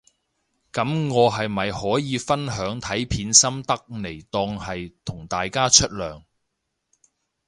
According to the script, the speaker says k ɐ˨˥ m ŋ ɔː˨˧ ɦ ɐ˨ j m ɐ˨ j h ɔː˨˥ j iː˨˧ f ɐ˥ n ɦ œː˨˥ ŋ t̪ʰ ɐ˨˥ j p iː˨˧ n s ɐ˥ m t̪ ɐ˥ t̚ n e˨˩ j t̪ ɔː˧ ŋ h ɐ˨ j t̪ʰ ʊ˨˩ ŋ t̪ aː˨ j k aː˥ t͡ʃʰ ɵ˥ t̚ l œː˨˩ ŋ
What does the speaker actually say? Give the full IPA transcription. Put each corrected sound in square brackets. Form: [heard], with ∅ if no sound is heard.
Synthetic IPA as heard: k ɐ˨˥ m ŋ ɔː˨˧ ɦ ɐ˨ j m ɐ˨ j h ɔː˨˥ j iː˨˧ f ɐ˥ n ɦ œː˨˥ ŋ t̪ʰ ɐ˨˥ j [pʰ] iː˨˧ n s ɐ˥ m t̪ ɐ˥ [k̚] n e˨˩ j t̪ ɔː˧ ŋ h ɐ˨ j t̪ʰ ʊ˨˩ ŋ t̪ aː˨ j k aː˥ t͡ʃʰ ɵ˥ t̚ l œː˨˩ ŋ